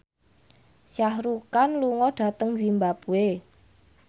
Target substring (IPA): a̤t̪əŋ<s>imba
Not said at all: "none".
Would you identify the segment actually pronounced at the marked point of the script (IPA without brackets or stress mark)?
z